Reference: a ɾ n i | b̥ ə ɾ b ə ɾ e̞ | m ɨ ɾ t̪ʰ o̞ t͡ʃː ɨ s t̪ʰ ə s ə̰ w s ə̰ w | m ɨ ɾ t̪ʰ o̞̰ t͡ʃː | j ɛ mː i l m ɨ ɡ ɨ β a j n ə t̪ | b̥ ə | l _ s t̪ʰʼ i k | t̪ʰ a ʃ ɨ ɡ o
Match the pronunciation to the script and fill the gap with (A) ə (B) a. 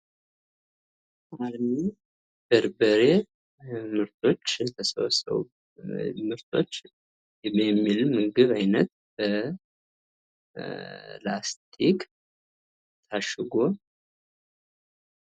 B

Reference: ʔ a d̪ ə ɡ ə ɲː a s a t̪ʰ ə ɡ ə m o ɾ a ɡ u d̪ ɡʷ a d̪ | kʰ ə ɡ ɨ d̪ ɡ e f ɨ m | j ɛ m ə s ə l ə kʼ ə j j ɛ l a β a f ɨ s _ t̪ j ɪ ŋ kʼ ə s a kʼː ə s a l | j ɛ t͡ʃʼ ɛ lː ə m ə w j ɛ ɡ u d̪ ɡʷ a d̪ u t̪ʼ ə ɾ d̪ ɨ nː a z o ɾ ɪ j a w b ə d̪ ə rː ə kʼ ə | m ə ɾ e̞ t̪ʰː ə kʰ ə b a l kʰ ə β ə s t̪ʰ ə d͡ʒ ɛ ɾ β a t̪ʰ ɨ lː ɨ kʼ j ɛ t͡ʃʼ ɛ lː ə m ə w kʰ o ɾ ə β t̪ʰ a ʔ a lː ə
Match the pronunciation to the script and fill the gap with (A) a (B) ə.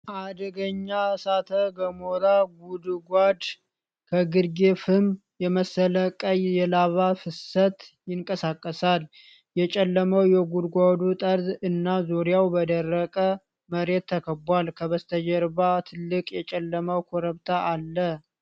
B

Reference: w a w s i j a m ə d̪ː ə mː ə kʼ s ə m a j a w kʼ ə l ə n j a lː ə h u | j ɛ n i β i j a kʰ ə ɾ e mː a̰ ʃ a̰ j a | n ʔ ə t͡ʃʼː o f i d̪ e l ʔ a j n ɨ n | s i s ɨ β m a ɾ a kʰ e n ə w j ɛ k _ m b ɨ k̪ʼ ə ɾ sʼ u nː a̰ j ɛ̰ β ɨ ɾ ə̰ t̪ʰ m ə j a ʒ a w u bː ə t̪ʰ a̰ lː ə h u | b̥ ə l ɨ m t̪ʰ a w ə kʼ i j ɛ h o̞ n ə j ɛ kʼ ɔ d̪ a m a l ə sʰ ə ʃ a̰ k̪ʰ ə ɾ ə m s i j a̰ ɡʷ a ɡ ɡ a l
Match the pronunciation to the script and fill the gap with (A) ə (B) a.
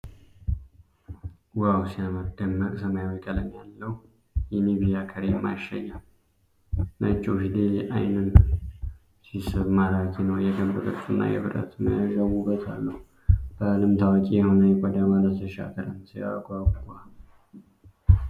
A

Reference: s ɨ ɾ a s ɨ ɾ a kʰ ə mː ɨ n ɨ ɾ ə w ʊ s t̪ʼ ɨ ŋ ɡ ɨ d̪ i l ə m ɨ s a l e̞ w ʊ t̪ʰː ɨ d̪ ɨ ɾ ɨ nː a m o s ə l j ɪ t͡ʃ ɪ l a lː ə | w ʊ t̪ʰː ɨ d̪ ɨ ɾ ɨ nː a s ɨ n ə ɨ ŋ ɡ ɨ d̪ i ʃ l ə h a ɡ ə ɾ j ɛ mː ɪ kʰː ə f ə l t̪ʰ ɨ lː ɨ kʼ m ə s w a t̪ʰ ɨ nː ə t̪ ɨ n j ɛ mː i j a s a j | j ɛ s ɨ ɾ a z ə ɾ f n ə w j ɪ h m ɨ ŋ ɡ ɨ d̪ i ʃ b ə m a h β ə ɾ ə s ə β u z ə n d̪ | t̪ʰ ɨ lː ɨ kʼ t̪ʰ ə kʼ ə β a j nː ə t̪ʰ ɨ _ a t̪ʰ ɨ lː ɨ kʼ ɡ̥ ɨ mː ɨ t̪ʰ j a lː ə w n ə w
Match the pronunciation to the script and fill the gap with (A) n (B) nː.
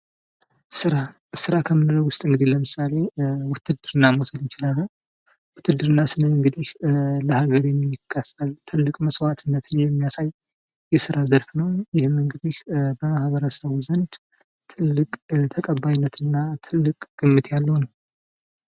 B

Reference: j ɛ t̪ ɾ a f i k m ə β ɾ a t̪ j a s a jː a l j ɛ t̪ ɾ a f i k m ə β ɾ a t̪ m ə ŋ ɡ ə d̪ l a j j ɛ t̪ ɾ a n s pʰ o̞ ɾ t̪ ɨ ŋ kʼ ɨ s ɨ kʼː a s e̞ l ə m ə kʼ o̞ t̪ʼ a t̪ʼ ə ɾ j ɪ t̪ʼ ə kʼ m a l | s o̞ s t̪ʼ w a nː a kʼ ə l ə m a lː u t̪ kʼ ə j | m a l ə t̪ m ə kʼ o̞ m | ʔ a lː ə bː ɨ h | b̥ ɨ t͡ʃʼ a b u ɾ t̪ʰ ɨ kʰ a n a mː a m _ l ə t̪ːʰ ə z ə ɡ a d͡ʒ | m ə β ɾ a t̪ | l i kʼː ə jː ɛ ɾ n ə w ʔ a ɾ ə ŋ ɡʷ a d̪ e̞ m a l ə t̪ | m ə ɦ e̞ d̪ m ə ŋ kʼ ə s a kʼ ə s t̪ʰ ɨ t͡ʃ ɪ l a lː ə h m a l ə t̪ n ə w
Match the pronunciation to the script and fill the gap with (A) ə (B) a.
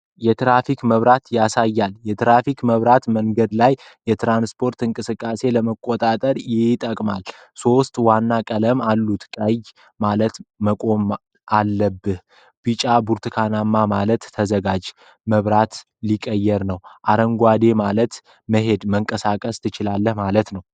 B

